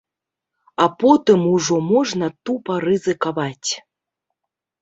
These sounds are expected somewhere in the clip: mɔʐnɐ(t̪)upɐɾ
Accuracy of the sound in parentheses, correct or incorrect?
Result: correct